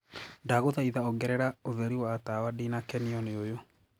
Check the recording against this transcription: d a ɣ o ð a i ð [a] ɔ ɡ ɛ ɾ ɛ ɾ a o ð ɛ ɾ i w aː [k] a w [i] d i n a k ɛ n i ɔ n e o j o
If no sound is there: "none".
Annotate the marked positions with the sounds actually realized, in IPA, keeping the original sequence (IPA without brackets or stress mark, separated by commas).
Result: a, t, a